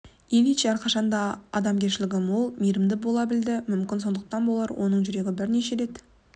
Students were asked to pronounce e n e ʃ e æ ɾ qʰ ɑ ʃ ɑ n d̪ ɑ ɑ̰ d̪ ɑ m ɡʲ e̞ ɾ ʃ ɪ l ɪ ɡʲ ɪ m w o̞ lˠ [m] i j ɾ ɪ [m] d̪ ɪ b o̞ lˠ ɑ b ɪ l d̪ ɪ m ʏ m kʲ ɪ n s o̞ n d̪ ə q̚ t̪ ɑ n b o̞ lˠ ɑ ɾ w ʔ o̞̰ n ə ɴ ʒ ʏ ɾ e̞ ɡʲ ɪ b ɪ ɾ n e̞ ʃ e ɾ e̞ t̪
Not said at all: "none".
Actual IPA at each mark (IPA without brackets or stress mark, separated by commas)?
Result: m, m